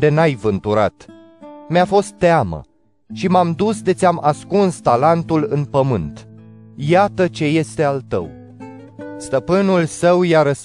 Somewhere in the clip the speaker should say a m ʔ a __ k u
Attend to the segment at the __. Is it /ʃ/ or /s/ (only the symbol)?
s